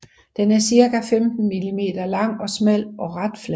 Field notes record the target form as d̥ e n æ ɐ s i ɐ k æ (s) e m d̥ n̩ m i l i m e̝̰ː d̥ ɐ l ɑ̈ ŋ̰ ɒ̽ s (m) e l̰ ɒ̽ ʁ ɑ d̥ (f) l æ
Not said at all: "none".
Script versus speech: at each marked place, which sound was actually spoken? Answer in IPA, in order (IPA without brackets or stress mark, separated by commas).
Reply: f, m, f